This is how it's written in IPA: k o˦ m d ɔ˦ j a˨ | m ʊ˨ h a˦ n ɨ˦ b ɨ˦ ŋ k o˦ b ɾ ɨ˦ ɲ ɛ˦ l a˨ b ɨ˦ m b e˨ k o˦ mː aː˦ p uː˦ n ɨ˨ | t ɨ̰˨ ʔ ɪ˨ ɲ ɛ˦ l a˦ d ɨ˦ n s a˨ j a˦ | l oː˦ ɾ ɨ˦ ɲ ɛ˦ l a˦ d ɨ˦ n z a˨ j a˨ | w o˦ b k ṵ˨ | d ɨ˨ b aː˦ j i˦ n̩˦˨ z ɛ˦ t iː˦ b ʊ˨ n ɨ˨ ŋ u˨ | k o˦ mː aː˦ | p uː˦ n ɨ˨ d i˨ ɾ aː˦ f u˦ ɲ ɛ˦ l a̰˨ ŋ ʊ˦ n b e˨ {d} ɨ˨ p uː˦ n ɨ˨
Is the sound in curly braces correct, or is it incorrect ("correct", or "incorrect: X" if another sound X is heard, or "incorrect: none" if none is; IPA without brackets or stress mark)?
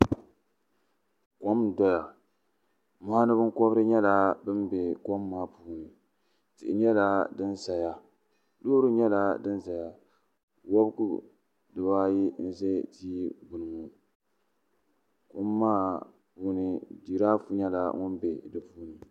correct